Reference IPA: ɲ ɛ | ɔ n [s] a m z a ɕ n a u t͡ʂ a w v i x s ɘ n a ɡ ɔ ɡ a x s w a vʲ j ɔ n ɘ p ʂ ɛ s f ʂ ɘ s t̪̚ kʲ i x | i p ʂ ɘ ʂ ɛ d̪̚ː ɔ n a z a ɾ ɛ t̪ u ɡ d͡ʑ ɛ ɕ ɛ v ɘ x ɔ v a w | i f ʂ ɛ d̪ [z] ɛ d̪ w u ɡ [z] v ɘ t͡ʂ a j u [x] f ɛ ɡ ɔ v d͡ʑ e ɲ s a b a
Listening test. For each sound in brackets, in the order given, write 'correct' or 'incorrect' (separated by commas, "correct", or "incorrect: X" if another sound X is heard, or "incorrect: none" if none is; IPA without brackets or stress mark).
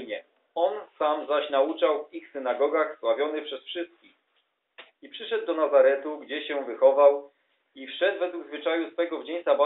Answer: correct, incorrect: v, correct, incorrect: s